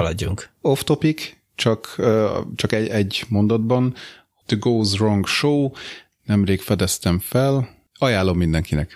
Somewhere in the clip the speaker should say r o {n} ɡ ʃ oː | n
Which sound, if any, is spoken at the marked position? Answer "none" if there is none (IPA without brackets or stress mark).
ŋ